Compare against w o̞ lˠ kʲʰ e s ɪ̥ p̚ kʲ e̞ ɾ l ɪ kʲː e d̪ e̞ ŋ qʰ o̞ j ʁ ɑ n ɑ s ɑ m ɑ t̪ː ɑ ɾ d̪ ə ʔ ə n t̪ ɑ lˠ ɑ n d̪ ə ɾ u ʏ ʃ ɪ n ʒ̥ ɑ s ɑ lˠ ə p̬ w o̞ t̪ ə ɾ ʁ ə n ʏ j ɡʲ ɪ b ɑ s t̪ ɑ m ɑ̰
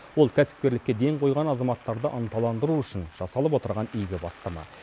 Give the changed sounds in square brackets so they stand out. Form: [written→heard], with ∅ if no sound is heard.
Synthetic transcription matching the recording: w o̞ lˠ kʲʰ [e→æ] s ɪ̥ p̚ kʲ e̞ ɾ l ɪ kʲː e d̪ e̞ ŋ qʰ o̞ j ʁ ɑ n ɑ [s→z] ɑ m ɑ t̪ː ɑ ɾ d̪ ə ʔ ə n t̪ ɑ lˠ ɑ n d̪ ə ɾ u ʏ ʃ ɪ n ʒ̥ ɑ s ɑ lˠ ə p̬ w o̞ t̪ ə ɾ ʁ [ə→ɑ] n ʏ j ɡʲ ɪ b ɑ s t̪ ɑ m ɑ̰